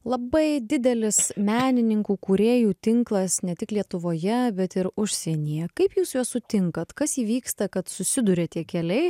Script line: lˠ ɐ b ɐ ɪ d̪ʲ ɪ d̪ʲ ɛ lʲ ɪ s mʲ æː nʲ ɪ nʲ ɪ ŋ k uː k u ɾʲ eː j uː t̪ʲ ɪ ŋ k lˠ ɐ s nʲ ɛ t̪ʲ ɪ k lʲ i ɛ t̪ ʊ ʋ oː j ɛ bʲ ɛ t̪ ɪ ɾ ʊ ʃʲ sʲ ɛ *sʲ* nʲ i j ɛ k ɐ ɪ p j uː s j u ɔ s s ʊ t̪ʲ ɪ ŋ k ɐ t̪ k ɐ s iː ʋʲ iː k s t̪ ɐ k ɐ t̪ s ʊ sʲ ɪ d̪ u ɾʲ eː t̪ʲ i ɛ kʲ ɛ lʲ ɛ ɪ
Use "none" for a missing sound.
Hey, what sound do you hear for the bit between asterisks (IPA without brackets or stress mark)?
none